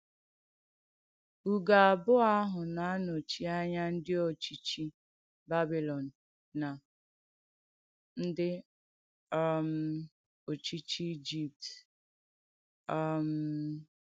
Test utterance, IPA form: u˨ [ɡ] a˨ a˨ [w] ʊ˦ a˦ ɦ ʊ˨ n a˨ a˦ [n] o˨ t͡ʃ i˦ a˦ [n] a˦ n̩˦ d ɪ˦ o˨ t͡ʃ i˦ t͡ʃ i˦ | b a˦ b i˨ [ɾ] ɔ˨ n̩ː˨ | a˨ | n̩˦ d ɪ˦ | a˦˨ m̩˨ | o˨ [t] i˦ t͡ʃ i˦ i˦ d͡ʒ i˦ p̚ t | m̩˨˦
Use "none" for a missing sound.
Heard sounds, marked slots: ɡ, b, n, ɲ, l, t͡ʃ

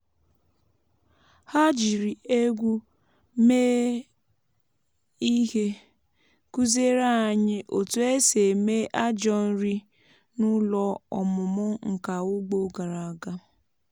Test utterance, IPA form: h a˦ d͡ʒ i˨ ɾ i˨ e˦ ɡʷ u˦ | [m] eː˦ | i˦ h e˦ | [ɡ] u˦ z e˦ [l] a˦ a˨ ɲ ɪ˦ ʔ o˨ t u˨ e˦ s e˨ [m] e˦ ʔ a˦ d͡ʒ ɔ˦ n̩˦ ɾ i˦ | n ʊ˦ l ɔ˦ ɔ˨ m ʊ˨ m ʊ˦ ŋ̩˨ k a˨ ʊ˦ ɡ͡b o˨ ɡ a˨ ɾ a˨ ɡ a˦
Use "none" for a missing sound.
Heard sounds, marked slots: m, k, ɾ, m

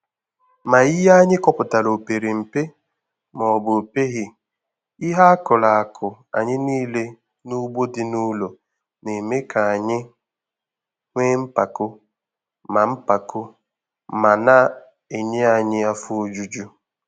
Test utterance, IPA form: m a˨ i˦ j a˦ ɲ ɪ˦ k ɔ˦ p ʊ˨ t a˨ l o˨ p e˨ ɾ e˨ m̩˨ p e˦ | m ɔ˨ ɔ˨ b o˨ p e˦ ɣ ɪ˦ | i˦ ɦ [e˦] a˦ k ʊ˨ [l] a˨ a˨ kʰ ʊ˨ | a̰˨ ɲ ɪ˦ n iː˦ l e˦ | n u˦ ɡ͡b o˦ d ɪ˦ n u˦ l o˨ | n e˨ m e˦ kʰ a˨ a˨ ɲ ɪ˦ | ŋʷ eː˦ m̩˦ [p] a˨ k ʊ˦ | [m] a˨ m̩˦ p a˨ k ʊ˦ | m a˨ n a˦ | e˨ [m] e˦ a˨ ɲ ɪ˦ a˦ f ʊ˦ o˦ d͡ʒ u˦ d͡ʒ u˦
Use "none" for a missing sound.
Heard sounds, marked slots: a˦, l, p, m, ɲ

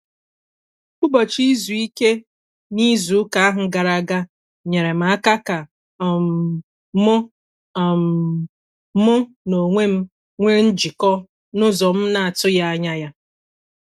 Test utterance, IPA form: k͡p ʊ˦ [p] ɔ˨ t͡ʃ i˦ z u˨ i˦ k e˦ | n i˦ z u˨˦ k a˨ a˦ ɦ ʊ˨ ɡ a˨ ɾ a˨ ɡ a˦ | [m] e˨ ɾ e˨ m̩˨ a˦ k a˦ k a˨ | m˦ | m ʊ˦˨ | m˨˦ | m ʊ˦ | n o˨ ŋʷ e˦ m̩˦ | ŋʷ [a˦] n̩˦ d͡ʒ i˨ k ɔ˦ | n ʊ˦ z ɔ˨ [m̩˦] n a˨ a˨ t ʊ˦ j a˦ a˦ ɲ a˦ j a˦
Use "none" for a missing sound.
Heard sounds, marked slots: b, ɲ, e˦, m̩˦

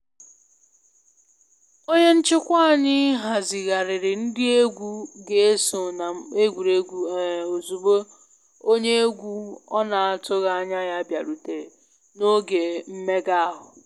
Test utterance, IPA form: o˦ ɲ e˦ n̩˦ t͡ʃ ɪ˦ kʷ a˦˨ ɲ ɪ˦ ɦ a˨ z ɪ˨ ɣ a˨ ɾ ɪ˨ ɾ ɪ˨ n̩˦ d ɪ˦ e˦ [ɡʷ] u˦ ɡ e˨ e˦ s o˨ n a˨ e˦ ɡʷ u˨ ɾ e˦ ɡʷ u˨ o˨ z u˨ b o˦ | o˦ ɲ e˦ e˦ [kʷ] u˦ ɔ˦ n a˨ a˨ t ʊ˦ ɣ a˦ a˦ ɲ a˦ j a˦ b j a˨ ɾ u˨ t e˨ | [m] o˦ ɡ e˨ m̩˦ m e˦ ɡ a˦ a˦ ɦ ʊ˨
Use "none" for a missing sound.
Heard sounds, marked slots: ɡʷ, ɡʷ, n

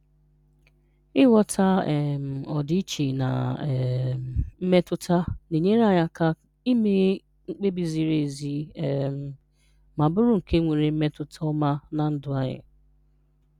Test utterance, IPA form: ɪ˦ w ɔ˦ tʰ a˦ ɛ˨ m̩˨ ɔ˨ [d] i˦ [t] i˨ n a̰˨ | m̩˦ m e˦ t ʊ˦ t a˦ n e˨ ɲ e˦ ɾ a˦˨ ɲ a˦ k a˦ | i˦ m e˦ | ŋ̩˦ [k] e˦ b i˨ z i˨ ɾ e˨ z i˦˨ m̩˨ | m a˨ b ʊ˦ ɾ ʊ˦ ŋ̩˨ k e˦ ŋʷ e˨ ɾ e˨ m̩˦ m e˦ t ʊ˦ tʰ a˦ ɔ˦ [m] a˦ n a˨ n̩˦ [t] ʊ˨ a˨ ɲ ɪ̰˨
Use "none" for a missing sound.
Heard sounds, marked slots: d, t͡ʃ, k͡p, m, d

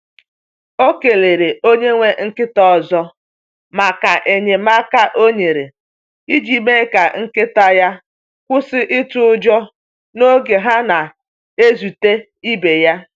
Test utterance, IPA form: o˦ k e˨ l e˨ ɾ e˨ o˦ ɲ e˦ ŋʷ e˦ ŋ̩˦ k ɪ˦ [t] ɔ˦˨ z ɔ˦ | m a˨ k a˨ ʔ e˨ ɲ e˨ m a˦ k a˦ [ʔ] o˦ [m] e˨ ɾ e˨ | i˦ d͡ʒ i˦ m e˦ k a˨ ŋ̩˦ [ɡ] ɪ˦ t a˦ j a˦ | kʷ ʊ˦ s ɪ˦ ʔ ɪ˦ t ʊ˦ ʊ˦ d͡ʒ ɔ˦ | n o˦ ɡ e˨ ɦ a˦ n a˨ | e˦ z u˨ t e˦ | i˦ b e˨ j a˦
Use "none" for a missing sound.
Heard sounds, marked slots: t, ʔ, ɲ, k

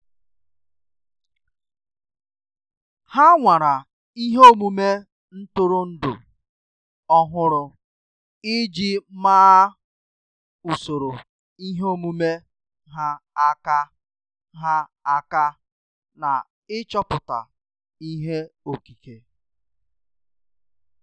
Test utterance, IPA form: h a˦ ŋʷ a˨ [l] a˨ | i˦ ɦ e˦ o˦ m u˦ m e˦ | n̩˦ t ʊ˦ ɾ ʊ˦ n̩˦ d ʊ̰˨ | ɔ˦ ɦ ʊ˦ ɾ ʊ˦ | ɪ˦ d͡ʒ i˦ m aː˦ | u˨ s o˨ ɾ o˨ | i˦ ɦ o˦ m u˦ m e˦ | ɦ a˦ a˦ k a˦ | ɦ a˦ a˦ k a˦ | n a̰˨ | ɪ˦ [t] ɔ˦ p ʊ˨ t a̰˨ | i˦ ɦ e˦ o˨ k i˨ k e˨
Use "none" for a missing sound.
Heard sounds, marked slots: ɾ, t͡ʃ

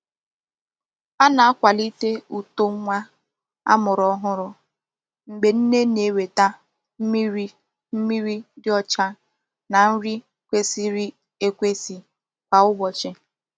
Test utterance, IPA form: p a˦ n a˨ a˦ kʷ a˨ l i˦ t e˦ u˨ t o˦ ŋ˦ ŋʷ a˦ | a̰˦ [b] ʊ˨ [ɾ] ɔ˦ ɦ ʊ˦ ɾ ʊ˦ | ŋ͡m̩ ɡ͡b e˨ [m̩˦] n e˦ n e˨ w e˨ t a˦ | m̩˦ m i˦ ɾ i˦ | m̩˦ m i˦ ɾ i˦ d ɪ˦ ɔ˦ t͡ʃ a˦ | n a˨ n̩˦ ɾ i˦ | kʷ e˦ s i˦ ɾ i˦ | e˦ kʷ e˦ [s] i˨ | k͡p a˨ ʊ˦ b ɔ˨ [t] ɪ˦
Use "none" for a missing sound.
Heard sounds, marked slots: m, ɾ, n̩˦, s, t͡ʃ

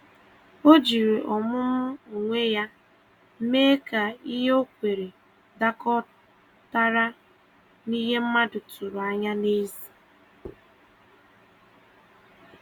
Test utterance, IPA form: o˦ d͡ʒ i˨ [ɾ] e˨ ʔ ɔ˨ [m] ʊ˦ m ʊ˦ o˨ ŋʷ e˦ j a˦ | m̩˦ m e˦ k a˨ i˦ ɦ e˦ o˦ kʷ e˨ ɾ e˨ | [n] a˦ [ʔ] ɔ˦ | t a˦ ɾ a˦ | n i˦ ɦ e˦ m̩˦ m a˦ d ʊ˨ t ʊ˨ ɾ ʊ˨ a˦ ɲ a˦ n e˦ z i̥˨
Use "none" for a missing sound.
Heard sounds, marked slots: ɾ, m, d, k

